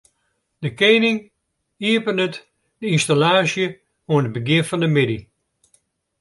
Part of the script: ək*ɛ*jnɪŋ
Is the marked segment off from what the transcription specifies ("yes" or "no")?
yes